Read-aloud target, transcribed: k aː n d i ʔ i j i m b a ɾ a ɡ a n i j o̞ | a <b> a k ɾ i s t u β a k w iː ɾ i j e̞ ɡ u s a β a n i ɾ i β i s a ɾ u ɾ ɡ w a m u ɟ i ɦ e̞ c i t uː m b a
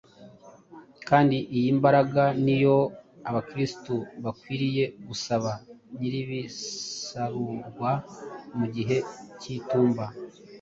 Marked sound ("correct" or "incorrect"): incorrect